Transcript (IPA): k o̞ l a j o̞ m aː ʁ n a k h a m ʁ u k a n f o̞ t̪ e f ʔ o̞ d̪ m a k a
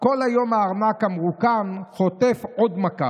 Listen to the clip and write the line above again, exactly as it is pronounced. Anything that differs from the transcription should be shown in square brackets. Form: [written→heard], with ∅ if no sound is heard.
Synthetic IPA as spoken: k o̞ l a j o̞ m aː ʁ n a k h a m ʁ u k a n [f→χ] o̞ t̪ e f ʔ o̞ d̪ m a k a